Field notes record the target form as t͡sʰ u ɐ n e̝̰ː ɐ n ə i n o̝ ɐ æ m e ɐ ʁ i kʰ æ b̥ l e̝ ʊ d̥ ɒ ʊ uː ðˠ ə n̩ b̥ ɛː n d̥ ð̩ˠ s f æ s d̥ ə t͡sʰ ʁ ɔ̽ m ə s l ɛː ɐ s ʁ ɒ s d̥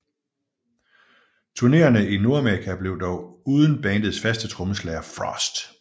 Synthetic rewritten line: t͡sʰ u ɐ n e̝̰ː ɐ n ə i n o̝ ɐ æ m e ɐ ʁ i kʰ æ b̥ l e̝ ʊ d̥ ɒ ʊ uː ðˠ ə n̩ b̥ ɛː n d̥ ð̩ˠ s f æ s d̥ ə t͡sʰ ʁ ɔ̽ m ə s l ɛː ɐ f ʁ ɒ s d̥